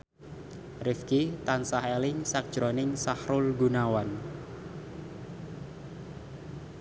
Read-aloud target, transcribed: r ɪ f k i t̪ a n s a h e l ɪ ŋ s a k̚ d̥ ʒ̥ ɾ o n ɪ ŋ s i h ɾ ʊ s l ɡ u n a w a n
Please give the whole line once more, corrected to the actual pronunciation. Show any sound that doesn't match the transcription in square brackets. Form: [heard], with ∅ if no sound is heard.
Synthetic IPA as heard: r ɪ f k i t̪ a n s a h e l ɪ ŋ s a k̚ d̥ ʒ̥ ɾ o n ɪ ŋ s [a] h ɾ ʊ [∅] l ɡ u n a w a n